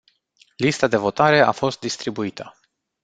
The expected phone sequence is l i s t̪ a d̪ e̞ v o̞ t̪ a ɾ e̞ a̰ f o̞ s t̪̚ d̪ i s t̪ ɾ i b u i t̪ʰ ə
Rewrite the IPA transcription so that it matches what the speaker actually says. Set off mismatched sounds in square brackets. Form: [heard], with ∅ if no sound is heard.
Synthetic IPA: l i s t̪ a d̪ e̞ v o̞ t̪ a ɾ e̞ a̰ f o̞ s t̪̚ d̪ i s t̪ ɾ i b u i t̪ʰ ə